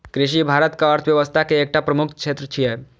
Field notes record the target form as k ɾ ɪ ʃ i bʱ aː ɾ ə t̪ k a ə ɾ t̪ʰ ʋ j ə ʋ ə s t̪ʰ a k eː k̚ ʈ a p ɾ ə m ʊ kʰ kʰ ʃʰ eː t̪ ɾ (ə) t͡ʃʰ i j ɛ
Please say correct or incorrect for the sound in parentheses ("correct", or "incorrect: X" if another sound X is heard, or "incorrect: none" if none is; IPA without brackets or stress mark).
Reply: correct